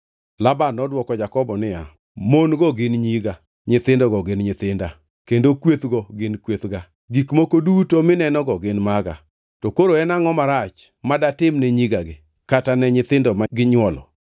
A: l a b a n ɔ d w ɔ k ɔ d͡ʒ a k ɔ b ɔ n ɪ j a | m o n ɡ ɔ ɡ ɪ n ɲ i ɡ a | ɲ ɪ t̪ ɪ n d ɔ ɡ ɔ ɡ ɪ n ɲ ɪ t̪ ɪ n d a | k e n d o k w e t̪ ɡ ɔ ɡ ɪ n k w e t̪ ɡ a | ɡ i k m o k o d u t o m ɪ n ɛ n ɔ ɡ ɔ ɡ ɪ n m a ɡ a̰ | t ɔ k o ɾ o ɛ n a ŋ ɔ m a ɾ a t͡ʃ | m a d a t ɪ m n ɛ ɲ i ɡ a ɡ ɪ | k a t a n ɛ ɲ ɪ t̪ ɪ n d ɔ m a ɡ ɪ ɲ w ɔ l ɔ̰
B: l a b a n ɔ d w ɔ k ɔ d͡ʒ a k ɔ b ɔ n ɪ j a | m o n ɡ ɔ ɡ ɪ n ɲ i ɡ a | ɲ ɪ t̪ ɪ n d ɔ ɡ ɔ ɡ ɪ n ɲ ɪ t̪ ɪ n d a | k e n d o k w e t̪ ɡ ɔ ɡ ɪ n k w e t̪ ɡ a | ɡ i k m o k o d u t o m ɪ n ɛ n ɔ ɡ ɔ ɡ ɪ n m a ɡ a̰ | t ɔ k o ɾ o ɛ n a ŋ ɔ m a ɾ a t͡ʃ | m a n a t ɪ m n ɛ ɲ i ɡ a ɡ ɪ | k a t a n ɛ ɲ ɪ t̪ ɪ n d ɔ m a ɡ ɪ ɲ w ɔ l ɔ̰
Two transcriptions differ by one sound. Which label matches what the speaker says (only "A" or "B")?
A